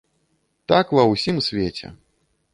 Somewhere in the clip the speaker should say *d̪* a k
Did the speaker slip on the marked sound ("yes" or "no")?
yes